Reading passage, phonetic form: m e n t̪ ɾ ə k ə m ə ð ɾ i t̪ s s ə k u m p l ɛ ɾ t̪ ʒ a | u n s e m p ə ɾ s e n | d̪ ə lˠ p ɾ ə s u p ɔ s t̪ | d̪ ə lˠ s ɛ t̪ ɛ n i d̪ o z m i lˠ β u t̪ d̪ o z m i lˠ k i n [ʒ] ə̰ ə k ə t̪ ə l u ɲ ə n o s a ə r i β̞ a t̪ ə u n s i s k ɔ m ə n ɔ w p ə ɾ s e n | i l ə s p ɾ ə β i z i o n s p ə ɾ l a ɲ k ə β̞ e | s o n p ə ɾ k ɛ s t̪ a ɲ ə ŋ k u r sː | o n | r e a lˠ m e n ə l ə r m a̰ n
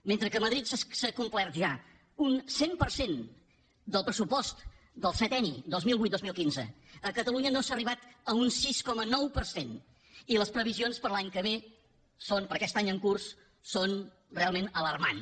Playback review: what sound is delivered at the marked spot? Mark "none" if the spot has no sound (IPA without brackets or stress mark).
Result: z